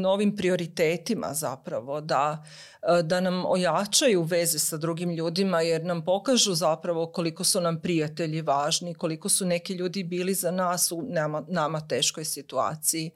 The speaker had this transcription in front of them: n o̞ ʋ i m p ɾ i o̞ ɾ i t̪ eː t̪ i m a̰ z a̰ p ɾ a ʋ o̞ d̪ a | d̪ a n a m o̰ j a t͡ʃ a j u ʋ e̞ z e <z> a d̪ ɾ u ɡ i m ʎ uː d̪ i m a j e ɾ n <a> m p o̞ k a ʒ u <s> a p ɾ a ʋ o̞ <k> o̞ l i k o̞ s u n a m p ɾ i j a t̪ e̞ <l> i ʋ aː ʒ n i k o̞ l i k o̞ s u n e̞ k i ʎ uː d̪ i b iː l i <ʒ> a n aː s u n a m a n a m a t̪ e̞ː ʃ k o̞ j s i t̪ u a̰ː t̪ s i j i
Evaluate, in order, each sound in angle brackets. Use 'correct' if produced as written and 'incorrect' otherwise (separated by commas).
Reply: incorrect, correct, incorrect, correct, incorrect, incorrect